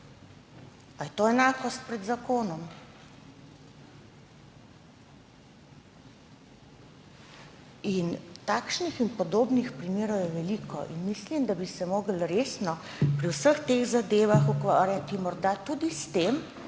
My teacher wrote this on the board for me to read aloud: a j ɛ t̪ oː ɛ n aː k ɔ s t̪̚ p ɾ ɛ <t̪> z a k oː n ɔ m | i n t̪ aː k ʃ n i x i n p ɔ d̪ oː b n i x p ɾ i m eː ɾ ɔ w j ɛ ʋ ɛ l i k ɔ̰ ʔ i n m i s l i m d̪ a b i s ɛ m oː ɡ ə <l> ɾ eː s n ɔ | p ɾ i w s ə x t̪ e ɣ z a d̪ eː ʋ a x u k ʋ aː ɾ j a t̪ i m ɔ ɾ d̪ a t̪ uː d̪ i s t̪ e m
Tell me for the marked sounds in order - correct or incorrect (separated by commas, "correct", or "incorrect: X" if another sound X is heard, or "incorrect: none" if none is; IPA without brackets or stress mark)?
incorrect: d̪, correct